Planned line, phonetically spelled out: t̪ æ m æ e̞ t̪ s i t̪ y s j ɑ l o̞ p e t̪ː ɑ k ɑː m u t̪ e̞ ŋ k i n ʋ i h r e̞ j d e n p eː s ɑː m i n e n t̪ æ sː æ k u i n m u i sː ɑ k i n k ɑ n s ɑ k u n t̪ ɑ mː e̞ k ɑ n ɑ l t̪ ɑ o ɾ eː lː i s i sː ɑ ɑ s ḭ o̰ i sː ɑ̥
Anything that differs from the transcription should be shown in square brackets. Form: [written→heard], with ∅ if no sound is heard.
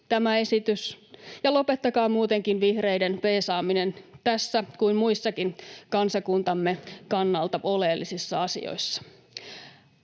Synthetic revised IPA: t̪ æ m æ e̞ [t̪→∅] s i t̪ y s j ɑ l o̞ p e t̪ː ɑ k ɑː m [u→uː] t̪ e̞ ŋ k i n ʋ i h r e̞ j d e n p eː s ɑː m i n e n t̪ æ sː æ k u i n m u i sː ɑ k i n k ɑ n s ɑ k u n t̪ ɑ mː e̞ k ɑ [n→nː] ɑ l t̪ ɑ o [ɾ→l] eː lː i s i sː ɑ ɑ s ḭ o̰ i sː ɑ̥

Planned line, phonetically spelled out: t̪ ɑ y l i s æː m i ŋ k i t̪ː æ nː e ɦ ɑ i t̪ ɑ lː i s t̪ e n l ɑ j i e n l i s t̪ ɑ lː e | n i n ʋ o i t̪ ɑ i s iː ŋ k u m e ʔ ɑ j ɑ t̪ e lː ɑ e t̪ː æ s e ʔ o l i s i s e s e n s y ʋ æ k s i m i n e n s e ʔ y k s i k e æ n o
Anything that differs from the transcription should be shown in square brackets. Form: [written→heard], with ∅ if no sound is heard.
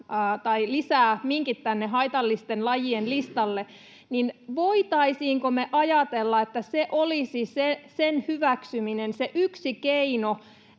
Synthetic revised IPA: t̪ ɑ [y→i] l i s æː m i ŋ k i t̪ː æ nː e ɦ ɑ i t̪ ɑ lː i s t̪ e n l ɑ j i e n l i s t̪ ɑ lː e | n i n ʋ o i t̪ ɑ i s iː ŋ k [u→o] m e ʔ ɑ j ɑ t̪ e lː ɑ e t̪ː æ s e ʔ o l i s i s e s e n [s→h] y ʋ æ k s [i→y] m i n e n s e ʔ y k s i k e [æ→i] n o

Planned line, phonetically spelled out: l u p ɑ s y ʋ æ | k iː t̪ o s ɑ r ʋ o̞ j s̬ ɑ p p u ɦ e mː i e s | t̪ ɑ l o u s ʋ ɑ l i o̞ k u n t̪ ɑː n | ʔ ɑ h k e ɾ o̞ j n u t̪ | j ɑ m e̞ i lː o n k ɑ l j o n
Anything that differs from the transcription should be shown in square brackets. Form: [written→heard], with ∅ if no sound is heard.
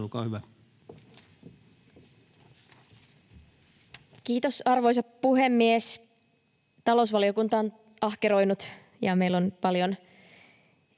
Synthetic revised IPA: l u [p→k] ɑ [s→h] y ʋ æ | k iː t̪ o s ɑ r ʋ o̞ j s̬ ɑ p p u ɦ e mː i e s | t̪ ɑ l o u s ʋ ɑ l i o̞ k u n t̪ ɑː n | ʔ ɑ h k e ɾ o̞ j n u t̪ | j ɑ m e̞ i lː o n [k→p] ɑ l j o n

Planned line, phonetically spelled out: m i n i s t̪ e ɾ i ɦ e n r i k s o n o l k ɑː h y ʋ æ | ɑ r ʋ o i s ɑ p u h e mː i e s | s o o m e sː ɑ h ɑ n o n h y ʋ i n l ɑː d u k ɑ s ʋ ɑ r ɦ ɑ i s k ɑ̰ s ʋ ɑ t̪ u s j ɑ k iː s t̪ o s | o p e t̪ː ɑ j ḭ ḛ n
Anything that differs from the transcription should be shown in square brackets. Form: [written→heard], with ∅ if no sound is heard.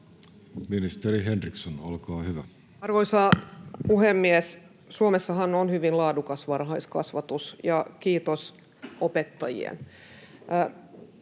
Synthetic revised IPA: m i n i s t̪ e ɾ i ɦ e n r i k s o n o l k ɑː h y ʋ æ | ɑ r ʋ o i s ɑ p u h e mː i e s | s [o→u] o m e sː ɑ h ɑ n o n h y ʋ i n l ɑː d u k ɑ s ʋ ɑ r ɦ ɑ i s k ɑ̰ s ʋ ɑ t̪ u s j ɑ k iː [s→∅] t̪ o s | o p e t̪ː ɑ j ḭ ḛ n

